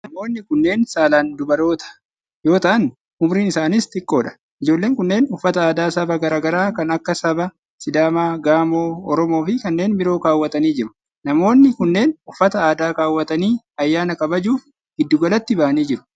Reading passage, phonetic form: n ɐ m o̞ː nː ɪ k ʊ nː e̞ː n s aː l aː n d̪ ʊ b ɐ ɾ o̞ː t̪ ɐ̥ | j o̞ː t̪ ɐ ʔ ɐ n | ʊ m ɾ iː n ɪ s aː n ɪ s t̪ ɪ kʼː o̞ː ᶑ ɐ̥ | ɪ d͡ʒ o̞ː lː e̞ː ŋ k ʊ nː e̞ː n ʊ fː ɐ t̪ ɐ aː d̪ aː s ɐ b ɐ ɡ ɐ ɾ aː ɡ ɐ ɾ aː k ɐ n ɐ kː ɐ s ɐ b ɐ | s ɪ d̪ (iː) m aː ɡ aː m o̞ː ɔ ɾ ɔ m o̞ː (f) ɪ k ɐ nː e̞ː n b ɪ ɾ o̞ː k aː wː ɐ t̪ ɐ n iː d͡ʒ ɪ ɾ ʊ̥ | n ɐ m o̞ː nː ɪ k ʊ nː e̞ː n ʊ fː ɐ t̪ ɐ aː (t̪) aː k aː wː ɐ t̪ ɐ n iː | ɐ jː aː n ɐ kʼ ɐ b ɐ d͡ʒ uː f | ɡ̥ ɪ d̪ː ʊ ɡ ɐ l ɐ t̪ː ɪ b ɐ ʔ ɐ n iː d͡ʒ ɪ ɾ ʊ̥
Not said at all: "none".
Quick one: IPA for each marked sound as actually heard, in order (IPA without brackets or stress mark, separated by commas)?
aː, f, d̪